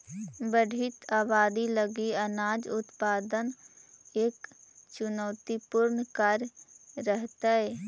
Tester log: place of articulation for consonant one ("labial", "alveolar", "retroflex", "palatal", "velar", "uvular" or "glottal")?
labial